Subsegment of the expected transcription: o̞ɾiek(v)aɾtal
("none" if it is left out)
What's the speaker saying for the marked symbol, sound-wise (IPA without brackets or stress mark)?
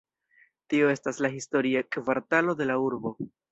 v